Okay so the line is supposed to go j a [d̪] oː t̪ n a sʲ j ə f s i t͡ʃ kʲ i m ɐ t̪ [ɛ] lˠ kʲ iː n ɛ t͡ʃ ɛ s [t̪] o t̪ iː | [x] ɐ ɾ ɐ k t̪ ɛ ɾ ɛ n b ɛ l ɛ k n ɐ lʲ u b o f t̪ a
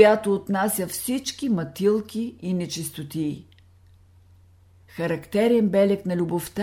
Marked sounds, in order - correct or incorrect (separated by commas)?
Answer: incorrect, incorrect, correct, correct